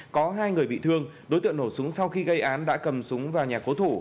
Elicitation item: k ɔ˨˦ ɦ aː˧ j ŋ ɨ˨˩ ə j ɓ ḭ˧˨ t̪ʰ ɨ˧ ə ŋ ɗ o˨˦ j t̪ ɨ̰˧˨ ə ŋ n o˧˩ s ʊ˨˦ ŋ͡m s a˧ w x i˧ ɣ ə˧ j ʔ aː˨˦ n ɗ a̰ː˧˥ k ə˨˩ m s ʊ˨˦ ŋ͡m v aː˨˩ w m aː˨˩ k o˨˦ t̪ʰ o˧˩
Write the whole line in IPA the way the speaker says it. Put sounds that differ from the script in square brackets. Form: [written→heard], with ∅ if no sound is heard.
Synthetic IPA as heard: k ɔ˨˦ ɦ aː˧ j ŋ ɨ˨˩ ə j ɓ ḭ˧˨ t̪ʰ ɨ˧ ə ŋ ɗ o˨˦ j t̪ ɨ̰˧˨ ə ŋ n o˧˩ s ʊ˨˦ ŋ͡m s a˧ w x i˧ ɣ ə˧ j ʔ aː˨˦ n ɗ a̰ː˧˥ k ə˨˩ m s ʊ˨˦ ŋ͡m v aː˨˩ w [m→ɲ] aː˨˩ k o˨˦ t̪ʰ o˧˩